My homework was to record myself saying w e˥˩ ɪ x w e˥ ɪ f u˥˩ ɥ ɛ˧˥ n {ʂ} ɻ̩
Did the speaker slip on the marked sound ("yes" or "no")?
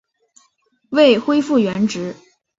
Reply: yes